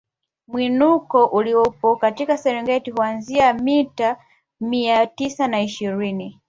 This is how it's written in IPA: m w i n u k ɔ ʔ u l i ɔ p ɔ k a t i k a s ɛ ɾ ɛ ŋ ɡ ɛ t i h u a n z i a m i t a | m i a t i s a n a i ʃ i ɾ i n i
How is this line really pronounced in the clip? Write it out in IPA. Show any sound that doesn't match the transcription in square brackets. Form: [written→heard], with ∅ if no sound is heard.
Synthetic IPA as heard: m w i n u k ɔ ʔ u l i ɔ p ɔ k a t i k a s ɛ ɾ ɛ ŋ ɡ ɛ t i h u a n z i a m i t a | m i a t i s a n a i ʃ i ɾ i n i